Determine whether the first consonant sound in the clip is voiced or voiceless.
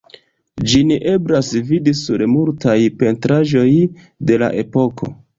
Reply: voiced